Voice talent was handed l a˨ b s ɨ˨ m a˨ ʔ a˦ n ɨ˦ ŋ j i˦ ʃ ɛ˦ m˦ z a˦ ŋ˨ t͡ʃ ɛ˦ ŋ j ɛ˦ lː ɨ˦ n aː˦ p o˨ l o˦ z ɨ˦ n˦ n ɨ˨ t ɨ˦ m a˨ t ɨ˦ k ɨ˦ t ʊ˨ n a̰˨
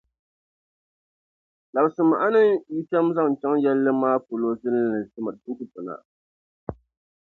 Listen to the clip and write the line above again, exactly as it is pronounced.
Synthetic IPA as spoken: l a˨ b s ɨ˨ m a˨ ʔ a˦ n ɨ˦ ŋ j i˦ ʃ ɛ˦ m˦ z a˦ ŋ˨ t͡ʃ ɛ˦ ŋ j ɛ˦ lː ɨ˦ m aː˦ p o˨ l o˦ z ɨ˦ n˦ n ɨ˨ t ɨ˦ m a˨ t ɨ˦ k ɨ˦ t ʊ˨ n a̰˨